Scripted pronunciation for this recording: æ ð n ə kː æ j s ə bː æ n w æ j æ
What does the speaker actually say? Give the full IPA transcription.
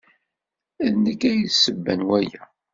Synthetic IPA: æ ð n ə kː æ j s ə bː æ n w æ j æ